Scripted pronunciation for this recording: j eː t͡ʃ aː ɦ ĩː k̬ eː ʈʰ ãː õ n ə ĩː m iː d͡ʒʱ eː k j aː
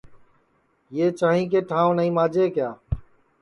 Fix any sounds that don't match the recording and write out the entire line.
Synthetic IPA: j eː t͡ʃ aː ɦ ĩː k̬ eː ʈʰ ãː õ n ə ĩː m aː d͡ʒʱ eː k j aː